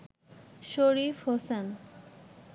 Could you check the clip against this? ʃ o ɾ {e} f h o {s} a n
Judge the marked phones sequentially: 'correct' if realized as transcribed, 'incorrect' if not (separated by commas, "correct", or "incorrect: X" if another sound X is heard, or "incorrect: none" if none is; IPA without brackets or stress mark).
incorrect: i, correct